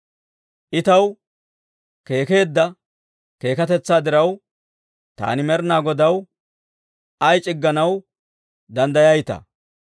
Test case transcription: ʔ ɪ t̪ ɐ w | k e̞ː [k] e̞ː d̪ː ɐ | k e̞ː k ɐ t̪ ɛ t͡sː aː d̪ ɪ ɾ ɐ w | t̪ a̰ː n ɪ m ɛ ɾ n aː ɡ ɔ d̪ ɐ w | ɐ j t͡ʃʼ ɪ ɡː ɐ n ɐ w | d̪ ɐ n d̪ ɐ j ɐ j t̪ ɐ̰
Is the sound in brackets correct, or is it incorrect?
correct